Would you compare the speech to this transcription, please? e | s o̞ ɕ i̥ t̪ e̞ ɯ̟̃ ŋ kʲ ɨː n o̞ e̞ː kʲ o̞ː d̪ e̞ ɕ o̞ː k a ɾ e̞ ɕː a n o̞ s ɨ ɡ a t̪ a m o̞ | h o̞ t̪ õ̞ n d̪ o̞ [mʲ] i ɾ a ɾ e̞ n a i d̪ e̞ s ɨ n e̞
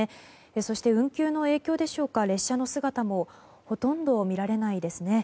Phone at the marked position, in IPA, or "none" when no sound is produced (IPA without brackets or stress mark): mʲ